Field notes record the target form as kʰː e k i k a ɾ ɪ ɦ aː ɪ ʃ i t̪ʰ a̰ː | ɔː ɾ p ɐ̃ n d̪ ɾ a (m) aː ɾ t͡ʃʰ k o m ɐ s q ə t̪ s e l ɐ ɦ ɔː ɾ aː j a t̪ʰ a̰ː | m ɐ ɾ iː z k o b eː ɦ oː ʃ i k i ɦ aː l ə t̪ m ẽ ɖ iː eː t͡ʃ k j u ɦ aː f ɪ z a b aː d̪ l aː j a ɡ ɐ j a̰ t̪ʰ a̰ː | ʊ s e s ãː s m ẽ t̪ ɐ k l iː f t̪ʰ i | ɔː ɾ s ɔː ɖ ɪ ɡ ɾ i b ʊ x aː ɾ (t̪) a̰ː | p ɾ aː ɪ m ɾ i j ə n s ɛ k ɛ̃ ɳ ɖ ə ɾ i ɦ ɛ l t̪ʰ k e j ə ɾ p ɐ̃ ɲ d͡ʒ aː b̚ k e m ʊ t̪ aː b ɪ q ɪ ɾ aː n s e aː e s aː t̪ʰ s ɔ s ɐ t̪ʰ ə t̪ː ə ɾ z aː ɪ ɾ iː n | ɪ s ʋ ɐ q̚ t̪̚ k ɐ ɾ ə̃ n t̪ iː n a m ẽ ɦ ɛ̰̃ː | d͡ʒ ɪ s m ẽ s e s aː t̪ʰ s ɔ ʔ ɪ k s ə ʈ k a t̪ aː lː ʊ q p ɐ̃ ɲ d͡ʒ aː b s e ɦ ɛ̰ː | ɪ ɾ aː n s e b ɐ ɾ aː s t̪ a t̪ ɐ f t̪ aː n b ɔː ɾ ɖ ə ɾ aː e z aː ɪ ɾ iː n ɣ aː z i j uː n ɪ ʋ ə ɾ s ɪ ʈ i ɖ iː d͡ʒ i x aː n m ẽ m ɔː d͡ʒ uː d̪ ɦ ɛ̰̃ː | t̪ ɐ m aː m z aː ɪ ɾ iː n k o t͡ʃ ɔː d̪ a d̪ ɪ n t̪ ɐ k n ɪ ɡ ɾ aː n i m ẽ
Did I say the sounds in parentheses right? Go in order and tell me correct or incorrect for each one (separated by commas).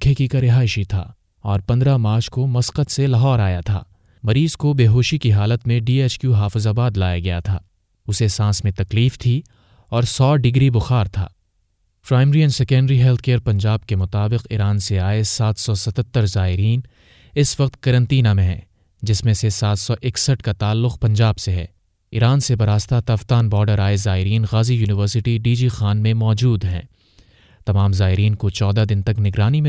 correct, incorrect